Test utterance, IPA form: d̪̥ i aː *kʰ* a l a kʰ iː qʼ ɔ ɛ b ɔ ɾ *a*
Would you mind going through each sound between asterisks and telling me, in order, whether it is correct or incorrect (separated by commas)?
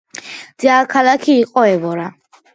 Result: correct, correct